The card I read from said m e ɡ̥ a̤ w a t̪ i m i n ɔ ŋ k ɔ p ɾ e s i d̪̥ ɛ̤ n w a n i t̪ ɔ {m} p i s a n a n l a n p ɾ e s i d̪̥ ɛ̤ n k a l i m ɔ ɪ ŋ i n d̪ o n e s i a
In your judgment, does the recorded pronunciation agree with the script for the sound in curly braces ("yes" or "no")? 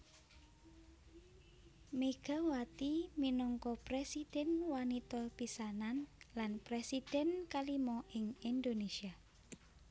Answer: no